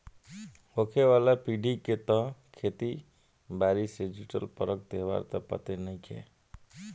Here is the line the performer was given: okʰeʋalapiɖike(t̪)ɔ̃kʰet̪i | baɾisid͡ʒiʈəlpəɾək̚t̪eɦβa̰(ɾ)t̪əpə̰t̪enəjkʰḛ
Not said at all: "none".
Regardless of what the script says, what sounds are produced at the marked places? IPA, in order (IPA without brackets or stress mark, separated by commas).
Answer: t̪, ɾ